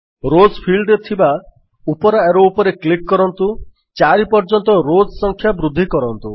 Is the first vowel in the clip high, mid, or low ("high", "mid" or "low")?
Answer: mid